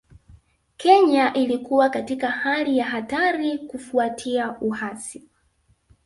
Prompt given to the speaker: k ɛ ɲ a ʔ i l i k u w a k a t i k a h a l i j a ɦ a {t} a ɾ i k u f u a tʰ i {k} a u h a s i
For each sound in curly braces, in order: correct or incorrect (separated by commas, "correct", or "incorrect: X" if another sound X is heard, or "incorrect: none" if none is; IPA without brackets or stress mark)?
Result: correct, incorrect: none